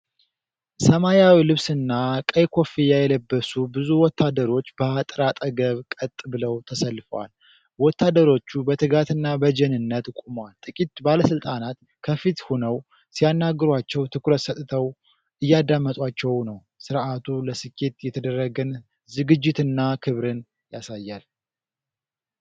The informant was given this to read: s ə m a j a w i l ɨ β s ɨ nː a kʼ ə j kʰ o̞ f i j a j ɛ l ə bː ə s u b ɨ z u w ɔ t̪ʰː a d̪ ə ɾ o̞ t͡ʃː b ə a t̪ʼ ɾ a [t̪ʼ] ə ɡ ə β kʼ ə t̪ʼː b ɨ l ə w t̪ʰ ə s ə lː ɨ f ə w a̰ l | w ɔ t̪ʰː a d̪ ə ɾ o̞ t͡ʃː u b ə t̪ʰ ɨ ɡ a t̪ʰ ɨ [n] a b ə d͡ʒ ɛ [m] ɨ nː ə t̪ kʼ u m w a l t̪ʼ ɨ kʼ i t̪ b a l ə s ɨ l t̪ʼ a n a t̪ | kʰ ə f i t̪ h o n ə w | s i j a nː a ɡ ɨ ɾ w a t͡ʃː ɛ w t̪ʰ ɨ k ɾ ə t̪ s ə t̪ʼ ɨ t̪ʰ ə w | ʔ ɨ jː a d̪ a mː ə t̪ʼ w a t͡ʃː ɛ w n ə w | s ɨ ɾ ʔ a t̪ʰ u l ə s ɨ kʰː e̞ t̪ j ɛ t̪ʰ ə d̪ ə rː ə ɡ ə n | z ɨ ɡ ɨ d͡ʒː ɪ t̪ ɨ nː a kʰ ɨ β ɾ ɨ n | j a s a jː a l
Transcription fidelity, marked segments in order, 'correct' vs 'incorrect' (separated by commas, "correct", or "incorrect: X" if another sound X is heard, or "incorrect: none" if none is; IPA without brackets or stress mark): correct, incorrect: nː, incorrect: n